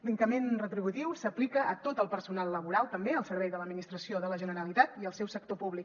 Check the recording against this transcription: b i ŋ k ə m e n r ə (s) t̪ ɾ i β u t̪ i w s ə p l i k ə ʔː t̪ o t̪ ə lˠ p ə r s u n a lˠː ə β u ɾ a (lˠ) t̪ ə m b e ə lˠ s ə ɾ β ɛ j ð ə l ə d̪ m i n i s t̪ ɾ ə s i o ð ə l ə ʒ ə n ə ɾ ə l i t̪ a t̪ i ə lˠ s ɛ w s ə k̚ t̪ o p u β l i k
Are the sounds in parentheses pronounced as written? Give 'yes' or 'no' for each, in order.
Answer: no, yes

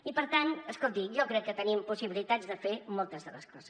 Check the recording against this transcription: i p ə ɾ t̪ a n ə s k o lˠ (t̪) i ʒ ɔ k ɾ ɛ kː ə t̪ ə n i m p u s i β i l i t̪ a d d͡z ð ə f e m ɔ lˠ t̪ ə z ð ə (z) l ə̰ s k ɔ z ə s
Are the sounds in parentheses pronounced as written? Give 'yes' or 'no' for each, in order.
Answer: yes, no

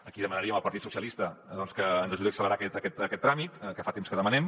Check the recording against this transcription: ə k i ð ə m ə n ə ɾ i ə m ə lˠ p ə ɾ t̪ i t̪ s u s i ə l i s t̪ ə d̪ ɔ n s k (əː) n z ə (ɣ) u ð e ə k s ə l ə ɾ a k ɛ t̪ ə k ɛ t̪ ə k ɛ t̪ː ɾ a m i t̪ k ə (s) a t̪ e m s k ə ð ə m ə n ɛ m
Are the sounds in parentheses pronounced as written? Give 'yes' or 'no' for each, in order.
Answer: yes, no, no

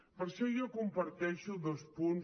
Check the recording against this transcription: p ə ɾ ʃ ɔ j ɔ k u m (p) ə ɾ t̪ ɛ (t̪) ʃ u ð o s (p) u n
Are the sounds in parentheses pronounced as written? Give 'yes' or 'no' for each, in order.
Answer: yes, no, yes

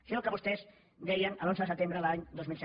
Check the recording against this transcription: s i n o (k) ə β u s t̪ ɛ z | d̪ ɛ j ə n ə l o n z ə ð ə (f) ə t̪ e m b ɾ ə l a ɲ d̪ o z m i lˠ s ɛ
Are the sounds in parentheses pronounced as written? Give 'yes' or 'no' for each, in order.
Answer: yes, no

